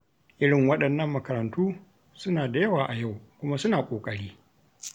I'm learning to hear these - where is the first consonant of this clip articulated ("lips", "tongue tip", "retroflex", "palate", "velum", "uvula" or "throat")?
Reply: throat